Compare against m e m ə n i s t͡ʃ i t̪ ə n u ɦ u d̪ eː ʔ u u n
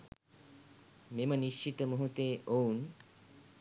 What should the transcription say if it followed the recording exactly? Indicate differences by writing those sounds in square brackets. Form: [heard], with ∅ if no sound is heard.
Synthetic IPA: m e m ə n i [ʃ] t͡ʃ i t̪ ə [m] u ɦ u [t̪] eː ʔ [o] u n